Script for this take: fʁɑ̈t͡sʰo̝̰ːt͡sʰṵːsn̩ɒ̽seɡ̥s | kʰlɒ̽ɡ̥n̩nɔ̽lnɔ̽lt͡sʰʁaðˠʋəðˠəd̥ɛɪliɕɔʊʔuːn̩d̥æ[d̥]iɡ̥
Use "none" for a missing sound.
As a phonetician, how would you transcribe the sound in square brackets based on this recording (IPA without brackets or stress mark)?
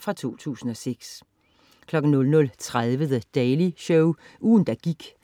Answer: ɡ̥